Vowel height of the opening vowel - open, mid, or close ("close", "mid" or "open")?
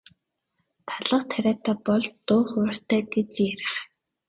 open